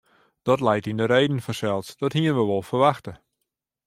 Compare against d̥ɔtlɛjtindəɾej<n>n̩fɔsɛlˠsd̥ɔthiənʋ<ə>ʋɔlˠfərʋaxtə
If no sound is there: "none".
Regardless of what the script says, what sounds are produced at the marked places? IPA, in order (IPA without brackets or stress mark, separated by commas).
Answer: d, ə